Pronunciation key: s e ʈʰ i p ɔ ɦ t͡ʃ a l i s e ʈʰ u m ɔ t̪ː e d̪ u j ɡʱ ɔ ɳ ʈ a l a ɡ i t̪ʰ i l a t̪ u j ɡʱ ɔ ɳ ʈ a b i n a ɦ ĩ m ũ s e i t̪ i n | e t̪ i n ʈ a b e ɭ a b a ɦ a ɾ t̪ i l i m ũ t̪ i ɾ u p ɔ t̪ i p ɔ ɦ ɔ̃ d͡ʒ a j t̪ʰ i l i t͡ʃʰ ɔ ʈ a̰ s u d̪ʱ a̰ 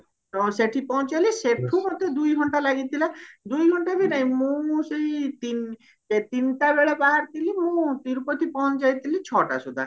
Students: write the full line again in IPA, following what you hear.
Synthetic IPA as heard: s e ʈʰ i p ɔ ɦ t͡ʃ a l i s e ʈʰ u m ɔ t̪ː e d̪ u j ɡʱ ɔ ɳ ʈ a l a ɡ i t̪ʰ i l a d̪ u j ɡʱ ɔ ɳ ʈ a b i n a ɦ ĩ m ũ s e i t̪ i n | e t̪ i n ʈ a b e ɭ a b a ɦ a ɾ t̪ i l i m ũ t̪ i ɾ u p ɔ t̪ i p ɔ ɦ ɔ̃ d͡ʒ a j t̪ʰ i l i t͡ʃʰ ɔ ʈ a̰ s u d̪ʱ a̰